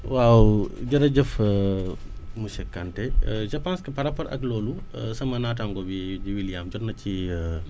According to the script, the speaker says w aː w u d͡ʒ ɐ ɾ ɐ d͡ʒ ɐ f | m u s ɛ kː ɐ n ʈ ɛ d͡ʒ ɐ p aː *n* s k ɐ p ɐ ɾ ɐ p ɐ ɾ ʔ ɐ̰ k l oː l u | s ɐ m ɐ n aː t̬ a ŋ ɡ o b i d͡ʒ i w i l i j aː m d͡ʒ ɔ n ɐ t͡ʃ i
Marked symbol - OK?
yes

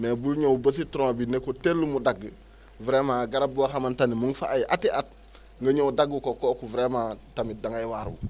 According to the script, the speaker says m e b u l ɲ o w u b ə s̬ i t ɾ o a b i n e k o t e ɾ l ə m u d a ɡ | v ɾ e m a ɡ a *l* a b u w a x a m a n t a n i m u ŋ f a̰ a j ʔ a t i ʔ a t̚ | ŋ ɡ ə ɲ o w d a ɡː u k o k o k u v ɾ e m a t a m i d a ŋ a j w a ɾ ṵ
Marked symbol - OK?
no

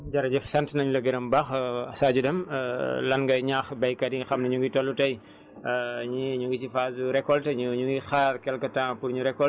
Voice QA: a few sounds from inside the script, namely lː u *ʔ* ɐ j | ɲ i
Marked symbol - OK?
no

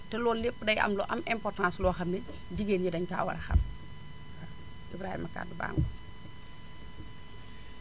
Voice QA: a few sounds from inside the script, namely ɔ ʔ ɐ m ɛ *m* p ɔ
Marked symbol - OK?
yes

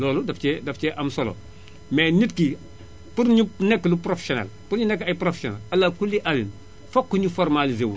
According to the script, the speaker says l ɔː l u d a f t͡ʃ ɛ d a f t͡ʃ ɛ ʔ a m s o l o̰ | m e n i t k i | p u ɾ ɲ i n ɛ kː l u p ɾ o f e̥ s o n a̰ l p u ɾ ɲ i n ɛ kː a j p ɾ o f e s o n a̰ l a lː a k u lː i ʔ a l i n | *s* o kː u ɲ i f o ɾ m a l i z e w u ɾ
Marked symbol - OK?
no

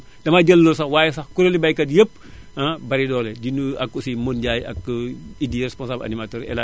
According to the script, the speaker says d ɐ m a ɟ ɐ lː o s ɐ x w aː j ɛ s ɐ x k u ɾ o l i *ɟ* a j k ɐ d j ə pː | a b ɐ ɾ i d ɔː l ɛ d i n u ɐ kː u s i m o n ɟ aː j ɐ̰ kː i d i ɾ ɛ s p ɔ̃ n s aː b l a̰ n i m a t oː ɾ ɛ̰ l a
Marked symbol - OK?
no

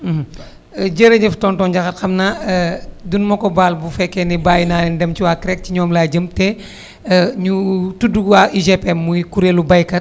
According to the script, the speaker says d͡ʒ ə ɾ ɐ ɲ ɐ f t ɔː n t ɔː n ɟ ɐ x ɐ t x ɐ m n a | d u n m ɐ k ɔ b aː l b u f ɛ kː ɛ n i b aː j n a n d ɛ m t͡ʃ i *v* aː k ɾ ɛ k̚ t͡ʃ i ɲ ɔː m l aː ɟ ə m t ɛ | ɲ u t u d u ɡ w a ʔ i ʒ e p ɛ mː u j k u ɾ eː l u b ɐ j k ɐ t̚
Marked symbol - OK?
no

